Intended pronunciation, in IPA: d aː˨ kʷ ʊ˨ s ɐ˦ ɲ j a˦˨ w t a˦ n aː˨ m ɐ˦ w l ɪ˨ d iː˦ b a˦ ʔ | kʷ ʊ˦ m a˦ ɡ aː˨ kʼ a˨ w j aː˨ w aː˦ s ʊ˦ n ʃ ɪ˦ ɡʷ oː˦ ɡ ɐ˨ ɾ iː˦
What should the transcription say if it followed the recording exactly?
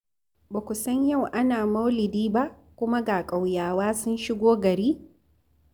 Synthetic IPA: b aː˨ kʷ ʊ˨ s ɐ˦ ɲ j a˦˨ w ʔ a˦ n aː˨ m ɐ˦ w l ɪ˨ d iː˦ b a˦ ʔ | kʷ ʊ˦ m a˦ ɡ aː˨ kʼ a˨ w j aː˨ w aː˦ s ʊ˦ n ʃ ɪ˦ ɡʷ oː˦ ɡ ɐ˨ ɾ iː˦